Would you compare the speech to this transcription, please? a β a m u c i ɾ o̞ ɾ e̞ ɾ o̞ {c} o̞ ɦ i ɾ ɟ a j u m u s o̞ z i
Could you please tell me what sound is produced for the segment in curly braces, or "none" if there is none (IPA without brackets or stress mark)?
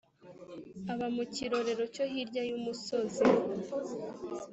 c